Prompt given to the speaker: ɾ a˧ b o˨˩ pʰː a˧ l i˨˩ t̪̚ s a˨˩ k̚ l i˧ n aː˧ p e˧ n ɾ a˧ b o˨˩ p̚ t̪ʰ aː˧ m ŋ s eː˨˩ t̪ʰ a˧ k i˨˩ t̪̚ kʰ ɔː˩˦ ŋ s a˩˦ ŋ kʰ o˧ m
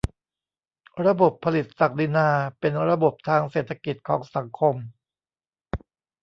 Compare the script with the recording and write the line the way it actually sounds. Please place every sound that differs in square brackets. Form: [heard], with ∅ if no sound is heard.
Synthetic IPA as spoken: ɾ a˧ b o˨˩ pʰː a˧ l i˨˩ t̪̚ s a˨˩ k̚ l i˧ n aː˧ p e˧ n ɾ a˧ b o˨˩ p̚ t̪ʰ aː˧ [∅] ŋ s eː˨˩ t̪ʰ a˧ k i˨˩ t̪̚ kʰ ɔː˩˦ ŋ s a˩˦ ŋ kʰ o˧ m